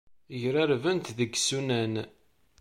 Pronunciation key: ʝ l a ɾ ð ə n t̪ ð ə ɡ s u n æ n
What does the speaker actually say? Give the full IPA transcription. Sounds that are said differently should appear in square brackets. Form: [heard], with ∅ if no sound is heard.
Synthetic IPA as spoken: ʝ [ɾ] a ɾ [v] ə n t̪ ð ə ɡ s u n æ n